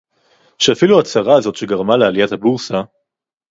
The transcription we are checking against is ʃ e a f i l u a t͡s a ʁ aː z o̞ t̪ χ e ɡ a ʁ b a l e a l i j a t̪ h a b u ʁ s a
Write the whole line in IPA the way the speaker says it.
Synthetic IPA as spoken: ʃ e a f i l u a t͡s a ʁ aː z o̞ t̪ ʃ e ɡ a ʁ m a l e a l i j a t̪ h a b u ʁ s a